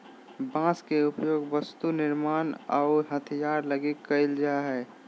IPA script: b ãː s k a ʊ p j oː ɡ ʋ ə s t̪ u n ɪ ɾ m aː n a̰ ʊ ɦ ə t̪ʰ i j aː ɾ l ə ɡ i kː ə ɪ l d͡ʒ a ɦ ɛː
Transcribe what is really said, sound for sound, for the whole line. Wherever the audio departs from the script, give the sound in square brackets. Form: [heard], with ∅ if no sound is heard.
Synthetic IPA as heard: b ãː s k [e] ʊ p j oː ɡ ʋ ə s t̪ u n ɪ ɾ m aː n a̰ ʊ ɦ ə t̪ʰ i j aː ɾ l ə ɡ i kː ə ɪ l d͡ʒ a ɦ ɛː